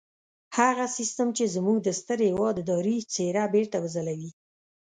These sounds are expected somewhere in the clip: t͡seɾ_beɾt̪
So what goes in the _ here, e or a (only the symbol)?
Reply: a